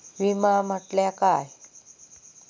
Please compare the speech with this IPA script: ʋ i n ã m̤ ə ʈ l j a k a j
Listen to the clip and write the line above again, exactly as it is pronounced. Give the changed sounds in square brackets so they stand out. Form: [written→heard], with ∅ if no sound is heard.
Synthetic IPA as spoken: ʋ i [n→m] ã m̤ ə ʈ l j a k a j